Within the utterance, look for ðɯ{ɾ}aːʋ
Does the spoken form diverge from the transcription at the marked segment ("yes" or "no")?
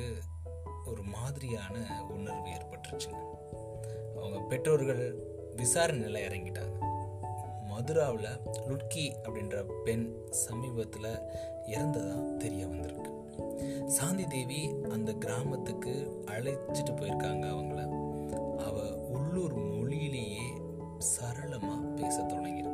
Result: no